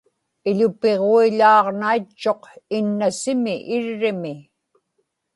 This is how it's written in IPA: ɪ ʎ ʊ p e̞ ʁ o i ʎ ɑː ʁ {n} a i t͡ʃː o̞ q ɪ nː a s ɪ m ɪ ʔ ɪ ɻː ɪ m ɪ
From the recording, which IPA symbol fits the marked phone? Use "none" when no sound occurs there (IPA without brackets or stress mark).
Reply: n